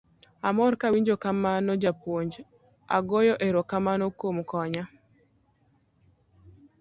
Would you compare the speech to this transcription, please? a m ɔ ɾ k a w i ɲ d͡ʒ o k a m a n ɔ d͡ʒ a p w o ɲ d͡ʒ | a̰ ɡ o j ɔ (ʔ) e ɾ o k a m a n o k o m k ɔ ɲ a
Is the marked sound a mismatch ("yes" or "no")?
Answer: no